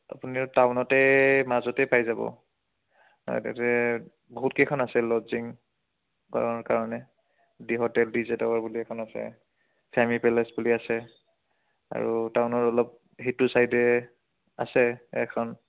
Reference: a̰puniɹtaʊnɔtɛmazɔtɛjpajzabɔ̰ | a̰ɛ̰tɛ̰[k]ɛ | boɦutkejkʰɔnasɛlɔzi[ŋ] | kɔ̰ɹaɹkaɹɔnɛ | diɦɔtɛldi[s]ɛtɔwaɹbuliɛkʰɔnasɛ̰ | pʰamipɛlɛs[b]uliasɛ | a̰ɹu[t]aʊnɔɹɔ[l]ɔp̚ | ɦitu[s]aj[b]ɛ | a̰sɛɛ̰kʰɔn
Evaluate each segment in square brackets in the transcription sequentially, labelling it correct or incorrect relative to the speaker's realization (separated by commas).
incorrect, correct, incorrect, correct, correct, correct, correct, incorrect